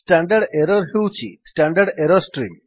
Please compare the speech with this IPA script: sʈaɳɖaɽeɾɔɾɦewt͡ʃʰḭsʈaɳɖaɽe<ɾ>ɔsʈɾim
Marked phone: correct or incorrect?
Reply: correct